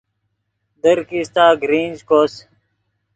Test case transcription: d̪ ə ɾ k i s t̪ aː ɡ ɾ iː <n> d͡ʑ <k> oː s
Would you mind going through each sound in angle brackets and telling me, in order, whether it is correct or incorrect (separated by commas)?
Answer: correct, correct